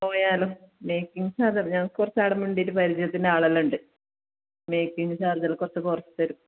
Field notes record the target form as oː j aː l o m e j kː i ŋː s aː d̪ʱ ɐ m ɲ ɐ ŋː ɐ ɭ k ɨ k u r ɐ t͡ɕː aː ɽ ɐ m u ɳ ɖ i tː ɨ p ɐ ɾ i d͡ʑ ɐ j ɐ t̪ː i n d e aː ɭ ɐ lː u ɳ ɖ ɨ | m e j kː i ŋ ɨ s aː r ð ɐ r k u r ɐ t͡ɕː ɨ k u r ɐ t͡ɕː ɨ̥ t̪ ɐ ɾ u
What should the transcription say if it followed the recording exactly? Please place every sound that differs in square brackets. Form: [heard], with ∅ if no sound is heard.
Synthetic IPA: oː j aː l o m e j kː i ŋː s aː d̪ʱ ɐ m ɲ ɐ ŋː ɐ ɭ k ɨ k u r ɐ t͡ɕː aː ɽ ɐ m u ɳ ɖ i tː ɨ p ɐ ɾ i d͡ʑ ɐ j ɐ t̪ː i n d e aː ɭ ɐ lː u ɳ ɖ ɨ | m e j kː i ŋ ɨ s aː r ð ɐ [l] k u r ɐ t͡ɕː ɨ k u r ɐ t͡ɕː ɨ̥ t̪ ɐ ɾ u